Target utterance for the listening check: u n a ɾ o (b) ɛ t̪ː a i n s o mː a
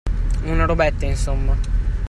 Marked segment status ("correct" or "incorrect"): correct